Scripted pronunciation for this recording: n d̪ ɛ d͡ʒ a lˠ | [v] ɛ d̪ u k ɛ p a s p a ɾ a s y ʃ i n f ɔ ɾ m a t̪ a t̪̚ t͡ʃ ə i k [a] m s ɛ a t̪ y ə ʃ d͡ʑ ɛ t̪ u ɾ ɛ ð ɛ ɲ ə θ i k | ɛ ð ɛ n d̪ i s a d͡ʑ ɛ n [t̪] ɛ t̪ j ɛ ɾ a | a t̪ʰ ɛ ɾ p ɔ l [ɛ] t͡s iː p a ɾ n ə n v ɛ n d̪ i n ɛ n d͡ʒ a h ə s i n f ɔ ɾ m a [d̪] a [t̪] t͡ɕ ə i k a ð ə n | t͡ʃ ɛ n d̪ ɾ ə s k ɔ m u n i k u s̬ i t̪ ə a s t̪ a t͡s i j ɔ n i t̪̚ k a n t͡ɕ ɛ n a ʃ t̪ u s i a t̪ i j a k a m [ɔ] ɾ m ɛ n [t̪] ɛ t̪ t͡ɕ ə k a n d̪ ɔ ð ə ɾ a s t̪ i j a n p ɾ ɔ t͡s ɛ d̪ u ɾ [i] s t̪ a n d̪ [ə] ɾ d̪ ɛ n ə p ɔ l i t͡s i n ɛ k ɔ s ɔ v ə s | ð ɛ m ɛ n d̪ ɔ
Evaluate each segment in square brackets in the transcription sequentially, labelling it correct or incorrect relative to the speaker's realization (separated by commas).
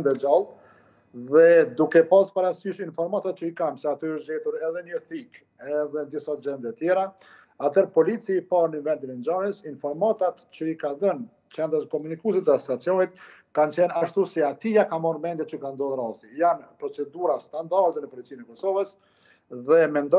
incorrect, correct, incorrect, incorrect, incorrect, correct, correct, incorrect, incorrect, incorrect